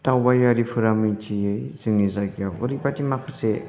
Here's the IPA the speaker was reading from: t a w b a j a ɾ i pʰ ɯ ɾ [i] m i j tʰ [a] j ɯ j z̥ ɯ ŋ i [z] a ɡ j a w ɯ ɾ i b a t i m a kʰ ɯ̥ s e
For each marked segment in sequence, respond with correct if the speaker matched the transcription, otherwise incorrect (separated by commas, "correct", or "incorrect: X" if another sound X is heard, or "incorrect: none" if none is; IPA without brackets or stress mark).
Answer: incorrect: a, incorrect: i, correct